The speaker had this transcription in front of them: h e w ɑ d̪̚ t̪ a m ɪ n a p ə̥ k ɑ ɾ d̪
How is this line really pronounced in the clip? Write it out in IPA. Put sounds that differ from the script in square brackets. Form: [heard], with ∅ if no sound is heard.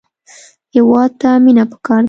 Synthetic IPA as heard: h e w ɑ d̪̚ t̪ a m [i] n a p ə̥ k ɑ ɾ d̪